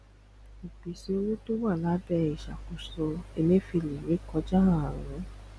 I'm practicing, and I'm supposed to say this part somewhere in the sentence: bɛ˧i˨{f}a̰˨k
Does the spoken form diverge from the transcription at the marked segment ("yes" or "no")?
yes